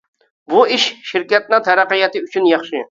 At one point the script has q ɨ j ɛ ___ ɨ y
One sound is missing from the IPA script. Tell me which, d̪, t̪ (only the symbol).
t̪